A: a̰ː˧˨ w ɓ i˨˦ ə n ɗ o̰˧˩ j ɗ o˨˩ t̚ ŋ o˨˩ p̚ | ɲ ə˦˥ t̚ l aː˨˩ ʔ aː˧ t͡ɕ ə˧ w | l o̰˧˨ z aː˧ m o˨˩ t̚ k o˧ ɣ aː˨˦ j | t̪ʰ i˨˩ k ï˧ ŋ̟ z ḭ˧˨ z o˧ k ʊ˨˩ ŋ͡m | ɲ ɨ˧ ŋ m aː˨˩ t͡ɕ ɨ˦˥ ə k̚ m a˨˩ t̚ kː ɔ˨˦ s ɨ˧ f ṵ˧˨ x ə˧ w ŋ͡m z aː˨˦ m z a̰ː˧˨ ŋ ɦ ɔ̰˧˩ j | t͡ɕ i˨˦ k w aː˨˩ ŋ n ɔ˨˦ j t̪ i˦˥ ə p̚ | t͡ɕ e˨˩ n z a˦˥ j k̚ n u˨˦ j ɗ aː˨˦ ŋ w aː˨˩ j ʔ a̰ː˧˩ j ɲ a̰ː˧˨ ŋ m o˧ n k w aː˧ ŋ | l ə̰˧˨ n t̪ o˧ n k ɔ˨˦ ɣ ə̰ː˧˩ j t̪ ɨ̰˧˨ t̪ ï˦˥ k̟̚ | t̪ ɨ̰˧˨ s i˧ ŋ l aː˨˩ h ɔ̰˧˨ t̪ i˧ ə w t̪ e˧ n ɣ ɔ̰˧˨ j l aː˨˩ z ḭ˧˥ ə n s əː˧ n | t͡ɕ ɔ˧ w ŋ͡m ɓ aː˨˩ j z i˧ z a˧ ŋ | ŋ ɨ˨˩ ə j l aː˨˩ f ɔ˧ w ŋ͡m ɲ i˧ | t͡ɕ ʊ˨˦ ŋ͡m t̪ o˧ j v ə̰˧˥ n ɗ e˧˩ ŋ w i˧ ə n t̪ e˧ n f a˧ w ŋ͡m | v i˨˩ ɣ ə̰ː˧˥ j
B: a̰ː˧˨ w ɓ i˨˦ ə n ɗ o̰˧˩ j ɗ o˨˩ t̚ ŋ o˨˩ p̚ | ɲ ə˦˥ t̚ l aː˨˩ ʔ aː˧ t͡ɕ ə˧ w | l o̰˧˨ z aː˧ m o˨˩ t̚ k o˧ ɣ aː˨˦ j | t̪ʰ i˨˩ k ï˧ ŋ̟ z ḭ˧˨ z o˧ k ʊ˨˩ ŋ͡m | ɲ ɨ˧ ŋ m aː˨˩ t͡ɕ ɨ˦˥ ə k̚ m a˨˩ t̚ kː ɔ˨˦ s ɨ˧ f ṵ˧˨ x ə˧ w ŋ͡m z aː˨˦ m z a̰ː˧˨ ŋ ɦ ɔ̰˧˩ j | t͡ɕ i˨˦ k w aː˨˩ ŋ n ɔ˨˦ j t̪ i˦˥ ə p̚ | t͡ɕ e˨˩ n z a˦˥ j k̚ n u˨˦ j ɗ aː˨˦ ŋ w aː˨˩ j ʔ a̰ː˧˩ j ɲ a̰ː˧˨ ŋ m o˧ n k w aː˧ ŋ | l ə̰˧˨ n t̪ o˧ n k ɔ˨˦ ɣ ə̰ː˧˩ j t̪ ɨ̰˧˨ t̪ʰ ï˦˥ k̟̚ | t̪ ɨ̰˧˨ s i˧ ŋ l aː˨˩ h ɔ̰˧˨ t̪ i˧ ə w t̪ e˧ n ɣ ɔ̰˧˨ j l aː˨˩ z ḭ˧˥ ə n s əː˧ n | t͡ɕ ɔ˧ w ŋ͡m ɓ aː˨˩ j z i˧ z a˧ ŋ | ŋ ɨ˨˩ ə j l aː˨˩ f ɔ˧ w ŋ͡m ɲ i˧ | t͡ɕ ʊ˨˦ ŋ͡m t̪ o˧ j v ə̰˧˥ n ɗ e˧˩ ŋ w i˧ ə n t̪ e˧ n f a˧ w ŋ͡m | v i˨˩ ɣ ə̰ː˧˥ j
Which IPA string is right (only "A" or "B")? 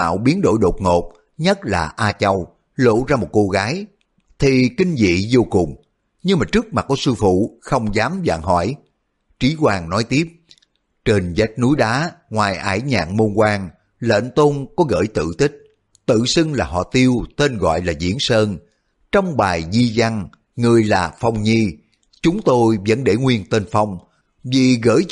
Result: A